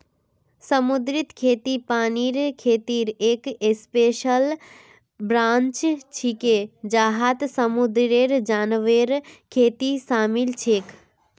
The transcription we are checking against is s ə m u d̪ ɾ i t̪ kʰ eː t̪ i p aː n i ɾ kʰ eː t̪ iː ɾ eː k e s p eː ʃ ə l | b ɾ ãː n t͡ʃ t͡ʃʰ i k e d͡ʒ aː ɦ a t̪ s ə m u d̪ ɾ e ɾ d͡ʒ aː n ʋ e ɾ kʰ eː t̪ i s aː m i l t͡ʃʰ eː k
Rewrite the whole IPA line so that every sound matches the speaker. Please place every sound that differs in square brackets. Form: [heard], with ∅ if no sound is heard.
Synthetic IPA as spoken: s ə m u d̪ ɾ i t̪ kʰ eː t̪ i p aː n i ɾ kʰ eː t̪ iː ɾ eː k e s p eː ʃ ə l | b ɾ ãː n t͡ʃ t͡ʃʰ i k e d͡ʒ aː ɦ a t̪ s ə m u d̪ ɾ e ɾ d͡ʒ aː n ʋ e ɾ kʰ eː t̪ i s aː m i l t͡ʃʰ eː k

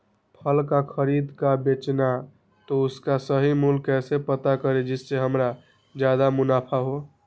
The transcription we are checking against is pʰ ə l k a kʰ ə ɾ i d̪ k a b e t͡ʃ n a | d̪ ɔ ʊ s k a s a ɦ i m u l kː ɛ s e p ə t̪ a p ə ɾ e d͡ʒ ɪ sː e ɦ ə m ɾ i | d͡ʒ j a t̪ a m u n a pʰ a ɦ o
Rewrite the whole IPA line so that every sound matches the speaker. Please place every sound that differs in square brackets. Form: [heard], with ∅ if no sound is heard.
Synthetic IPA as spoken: pʰ ə l k a kʰ ə ɾ i d̪ k a b e t͡ʃ n a | [t̪] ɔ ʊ s k a s [ə] ɦ i m u l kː ɛ s e p ə t̪ a [k] ə ɾ e d͡ʒ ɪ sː e ɦ ə m ɾ [a] | d͡ʒ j a [d̪] a m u n a pʰ a ɦ o

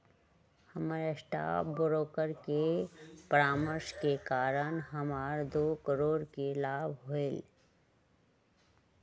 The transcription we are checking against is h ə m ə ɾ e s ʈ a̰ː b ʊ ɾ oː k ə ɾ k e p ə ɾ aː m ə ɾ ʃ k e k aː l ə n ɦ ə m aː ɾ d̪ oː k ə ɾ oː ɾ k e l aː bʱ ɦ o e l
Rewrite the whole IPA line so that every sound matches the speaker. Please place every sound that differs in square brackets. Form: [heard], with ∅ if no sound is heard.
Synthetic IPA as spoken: h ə m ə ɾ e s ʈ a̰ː b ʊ ɾ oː k ə ɾ k e p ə ɾ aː m ə ɾ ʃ k e k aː [ɾ] ə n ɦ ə m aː ɾ d̪ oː k ə ɾ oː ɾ k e l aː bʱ ɦ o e l

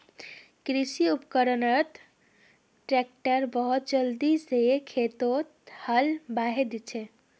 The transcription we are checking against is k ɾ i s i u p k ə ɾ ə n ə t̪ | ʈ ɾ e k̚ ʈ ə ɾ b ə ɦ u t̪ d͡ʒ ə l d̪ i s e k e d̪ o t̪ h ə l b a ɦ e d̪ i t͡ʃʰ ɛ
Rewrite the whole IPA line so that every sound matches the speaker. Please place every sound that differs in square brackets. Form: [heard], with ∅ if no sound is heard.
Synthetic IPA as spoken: k ɾ i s i u p k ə ɾ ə n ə t̪ | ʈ ɾ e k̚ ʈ ə ɾ b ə ɦ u t̪ d͡ʒ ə l d̪ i s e [kʰ] e [t̪] o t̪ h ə l b a ɦ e d̪ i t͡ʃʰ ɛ

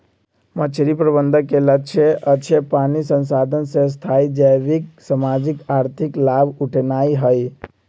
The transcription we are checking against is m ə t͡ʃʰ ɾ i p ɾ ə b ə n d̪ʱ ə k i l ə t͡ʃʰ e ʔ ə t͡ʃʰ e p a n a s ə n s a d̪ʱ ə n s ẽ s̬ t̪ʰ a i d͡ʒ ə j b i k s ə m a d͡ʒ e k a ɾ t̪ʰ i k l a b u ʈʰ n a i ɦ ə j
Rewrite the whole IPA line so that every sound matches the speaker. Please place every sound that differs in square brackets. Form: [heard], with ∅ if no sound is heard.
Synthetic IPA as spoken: m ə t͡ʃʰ ɾ i p ɾ ə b ə n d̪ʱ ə k [e] l ə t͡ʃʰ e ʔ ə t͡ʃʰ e p a n [i] s ə n s a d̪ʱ ə n s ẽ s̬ t̪ʰ a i d͡ʒ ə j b i k s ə m a d͡ʒ [i] k a ɾ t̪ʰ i k l a b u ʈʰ n a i ɦ ə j

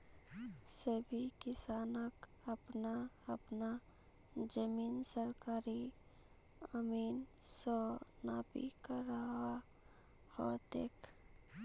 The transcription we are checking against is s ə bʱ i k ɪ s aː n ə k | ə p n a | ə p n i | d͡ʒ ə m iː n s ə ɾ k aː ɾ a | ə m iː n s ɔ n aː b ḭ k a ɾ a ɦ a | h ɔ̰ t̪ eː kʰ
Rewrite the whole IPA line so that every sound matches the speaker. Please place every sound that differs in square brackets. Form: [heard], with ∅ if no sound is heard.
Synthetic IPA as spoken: s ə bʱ i k ɪ s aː n ə k | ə p n a | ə p n [a] | d͡ʒ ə m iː n s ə ɾ k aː ɾ [i] | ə m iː n s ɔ n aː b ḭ k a ɾ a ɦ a | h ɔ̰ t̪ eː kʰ

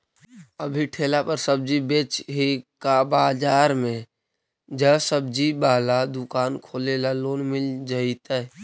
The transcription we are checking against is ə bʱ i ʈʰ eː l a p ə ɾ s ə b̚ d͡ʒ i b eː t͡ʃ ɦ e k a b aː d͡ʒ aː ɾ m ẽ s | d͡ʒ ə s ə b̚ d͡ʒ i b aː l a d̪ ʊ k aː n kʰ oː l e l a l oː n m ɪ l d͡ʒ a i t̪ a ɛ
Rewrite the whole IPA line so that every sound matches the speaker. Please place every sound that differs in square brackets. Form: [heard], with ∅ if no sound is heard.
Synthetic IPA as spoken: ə bʱ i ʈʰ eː l a p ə ɾ s ə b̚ d͡ʒ i b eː t͡ʃ ɦ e k a b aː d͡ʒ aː ɾ m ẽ [∅] | d͡ʒ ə s ə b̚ d͡ʒ i b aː l a d̪ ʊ k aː n kʰ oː l e l a l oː n m ɪ l d͡ʒ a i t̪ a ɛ

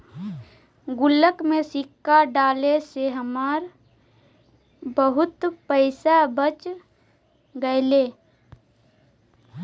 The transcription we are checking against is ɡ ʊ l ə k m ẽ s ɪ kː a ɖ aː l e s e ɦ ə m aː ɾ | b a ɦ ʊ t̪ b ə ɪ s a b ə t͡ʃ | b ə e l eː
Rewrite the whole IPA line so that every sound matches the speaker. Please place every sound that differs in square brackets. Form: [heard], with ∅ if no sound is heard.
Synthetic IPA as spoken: ɡ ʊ l ə k m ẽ s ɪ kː a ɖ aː l e s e ɦ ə m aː ɾ | b [ə] ɦ ʊ t̪ [p] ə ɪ s a b ə t͡ʃ | [ɡ] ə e l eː

